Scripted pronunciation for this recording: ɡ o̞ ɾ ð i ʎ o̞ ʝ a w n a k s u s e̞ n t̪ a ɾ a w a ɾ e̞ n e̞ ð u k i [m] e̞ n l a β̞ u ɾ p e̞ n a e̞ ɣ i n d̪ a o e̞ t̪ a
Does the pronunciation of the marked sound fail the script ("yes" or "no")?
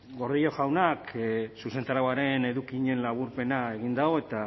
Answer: yes